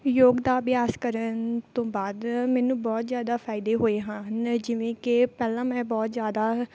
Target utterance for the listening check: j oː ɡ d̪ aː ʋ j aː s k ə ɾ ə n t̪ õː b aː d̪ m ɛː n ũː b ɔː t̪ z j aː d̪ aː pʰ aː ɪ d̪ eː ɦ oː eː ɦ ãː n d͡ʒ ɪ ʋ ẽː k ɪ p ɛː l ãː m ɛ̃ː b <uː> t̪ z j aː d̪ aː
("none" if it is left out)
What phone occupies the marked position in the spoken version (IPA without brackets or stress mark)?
ɔː